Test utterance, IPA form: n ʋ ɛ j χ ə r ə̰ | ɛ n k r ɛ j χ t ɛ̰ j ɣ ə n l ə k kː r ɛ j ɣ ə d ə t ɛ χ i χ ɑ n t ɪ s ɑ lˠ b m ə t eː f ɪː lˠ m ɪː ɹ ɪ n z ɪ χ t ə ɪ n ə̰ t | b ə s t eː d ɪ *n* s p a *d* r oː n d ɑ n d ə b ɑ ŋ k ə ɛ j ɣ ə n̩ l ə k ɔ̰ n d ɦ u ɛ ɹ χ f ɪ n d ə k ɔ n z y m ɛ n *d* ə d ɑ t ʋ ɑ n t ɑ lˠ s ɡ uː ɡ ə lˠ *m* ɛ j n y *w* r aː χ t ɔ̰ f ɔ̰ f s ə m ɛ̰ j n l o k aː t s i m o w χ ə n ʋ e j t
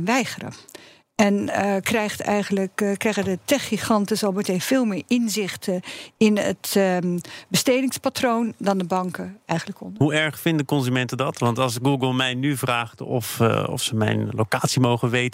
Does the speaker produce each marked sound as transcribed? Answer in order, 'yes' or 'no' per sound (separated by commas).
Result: no, no, no, yes, no